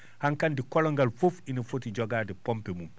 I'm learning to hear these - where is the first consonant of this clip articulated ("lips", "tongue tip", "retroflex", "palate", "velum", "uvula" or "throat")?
throat